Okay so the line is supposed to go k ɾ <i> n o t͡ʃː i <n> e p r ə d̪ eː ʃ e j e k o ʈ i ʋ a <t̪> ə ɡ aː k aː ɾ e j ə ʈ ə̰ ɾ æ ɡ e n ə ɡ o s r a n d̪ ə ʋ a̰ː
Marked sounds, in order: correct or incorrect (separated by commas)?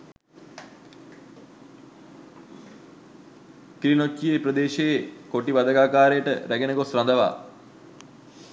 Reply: correct, incorrect, incorrect